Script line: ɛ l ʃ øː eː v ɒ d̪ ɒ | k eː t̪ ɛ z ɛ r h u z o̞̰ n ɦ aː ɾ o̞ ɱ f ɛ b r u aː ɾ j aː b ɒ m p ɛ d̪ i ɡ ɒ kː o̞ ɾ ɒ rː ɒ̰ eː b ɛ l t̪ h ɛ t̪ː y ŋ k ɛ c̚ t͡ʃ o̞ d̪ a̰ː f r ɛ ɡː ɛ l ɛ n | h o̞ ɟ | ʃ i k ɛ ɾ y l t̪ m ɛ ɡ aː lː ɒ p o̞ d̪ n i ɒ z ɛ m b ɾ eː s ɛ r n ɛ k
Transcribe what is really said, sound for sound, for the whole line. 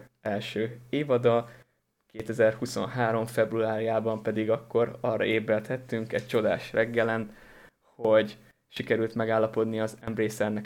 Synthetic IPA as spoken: ɛ l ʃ øː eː v ɒ d̪ ɒ | k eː t̪ ɛ z ɛ r h u s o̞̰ n ɦ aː ɾ o̞ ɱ f ɛ b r u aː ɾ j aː b ɒ m p ɛ d̪ i ɡ ɒ kː o̞ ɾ ɒ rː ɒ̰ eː b ɛ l t̪ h ɛ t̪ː y ŋ k ɛ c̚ t͡ʃ o̞ d̪ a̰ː ʃ r ɛ ɡː ɛ l ɛ n | h o̞ ɟ | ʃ i k ɛ ɾ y l t̪ m ɛ ɡ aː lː ɒ p o̞ d̪ n i ɒ z ɛ m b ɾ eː s ɛ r n ɛ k